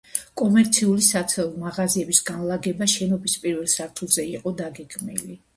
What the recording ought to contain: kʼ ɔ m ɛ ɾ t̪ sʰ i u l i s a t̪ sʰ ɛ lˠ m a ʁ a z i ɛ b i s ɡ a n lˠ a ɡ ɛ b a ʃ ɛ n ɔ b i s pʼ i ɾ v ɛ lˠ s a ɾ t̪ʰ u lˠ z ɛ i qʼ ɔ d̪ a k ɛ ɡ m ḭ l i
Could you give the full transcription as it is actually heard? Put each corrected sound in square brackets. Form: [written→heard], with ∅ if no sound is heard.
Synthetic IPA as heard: kʼ ɔ m ɛ ɾ t̪ sʰ i u l i s a t̪ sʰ ɛ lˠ m a ʁ a z i ɛ b i s ɡ a n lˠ a ɡ ɛ b a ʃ ɛ n ɔ b i s pʼ i ɾ v ɛ lˠ s a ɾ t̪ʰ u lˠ z ɛ i qʼ ɔ d̪ a [k→ɡ] ɛ ɡ m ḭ l i